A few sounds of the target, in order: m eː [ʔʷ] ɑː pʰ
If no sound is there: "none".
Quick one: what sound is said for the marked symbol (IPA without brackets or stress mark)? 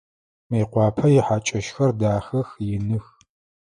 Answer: qʷ